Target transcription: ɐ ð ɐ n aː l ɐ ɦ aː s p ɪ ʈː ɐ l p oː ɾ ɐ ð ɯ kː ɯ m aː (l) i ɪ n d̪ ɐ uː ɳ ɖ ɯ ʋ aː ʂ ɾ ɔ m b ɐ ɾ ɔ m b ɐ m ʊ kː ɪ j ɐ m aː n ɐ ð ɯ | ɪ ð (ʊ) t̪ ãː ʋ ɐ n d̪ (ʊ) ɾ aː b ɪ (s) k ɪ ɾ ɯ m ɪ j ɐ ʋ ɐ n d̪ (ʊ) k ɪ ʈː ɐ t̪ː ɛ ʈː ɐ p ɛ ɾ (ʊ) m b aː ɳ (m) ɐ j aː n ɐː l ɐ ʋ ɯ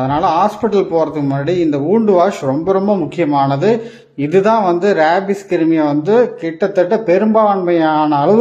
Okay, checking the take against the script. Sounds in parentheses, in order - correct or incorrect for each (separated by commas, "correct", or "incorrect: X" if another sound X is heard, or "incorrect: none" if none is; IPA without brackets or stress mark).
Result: incorrect: ɽ, incorrect: ɯ, incorrect: ɯ, correct, incorrect: ɯ, incorrect: ɯ, correct